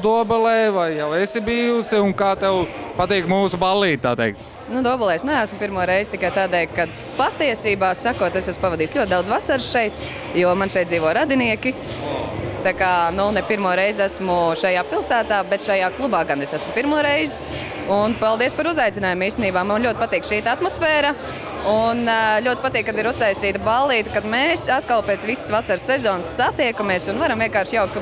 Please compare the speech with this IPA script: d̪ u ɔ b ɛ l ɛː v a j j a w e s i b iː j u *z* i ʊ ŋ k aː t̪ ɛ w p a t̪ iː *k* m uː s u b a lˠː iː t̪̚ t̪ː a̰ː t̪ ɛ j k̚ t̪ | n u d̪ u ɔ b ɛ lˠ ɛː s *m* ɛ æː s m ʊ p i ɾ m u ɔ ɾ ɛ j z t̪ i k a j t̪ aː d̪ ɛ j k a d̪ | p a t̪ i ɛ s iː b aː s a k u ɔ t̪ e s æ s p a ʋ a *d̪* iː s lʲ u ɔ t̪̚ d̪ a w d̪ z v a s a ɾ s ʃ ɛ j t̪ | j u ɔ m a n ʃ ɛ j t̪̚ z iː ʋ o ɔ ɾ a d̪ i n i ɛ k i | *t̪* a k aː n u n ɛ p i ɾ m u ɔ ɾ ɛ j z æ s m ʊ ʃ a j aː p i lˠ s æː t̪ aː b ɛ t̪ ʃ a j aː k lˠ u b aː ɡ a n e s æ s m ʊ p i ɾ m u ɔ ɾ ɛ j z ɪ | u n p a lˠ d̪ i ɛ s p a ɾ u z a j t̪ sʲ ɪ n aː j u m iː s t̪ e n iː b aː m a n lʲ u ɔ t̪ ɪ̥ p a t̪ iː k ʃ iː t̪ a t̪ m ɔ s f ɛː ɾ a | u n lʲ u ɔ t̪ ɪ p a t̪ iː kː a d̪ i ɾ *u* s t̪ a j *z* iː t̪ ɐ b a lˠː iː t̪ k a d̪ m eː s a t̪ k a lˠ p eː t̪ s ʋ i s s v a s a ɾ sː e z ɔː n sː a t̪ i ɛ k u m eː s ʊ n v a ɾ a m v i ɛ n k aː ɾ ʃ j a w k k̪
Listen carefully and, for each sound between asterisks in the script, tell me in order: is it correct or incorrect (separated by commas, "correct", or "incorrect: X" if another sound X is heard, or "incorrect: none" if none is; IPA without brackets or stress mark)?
incorrect: s, correct, incorrect: n, correct, correct, correct, incorrect: s